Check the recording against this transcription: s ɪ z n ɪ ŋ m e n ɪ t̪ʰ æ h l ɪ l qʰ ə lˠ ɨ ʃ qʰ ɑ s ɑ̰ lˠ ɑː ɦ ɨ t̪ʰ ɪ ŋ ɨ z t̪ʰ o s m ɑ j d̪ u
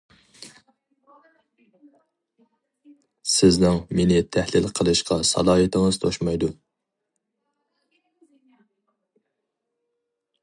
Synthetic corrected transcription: s ɪ z n ɪ ŋ m e n ɪ t̪ʰ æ h l ɪ l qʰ ə lˠ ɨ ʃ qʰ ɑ s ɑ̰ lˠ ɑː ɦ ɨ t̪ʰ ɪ ŋ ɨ z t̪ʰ o ʃ m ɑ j d̪ u

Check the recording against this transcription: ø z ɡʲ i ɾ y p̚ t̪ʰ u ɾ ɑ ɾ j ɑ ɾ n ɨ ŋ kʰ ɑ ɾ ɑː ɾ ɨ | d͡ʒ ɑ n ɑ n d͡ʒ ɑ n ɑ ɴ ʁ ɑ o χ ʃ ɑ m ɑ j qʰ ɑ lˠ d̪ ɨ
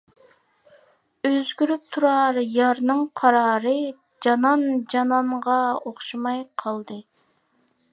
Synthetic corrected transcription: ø z ɡʲ y ɾ y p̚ t̪ʰ u ɾ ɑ ɾ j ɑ ɾ n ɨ ŋ qʰ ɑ ɾ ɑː ɾ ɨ | d͡ʒ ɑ n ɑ n d͡ʒ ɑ n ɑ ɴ ʁ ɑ o χ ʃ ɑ m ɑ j qʰ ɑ lˠ d̪ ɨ

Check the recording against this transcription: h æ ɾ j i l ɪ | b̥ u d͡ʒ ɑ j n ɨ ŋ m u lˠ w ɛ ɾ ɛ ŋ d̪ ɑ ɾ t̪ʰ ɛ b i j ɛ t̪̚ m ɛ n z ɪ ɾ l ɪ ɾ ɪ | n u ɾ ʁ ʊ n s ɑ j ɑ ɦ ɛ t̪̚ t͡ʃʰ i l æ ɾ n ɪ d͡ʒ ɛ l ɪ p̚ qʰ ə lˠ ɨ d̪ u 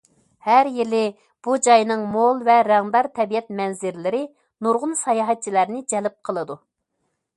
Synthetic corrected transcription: h æ ɾ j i l ɪ | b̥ u d͡ʒ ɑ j n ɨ ŋ m o lˠ v ɛ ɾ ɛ ŋ d̪ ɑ ɾ t̪ʰ ɛ b i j ɛ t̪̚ m ɛ n z ɪ ɾ l ɪ ɾ ɪ | n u ɾ ʁ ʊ n s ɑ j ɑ ɦ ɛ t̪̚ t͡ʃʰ i l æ ɾ n ɪ d͡ʒ ɛ l ɪ p̚ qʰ ə lˠ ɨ d̪ u

